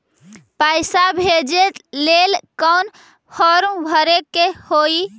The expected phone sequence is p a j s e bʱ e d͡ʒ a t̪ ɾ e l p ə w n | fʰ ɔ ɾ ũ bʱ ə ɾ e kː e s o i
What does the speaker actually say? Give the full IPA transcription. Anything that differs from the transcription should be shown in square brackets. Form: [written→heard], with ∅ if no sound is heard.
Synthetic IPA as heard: p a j s [e→a] bʱ e d͡ʒ [a→e] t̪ [ɾ→l] e l [p→k] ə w n | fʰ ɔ ɾ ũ bʱ ə ɾ e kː e [s→h] o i

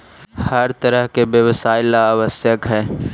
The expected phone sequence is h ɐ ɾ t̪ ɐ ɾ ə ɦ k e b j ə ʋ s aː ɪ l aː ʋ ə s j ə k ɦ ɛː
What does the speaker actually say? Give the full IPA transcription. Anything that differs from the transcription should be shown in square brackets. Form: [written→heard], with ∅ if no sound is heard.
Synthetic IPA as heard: h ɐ ɾ t̪ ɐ ɾ ə ɦ k e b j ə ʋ s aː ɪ l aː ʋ ə s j ə k ɦ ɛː

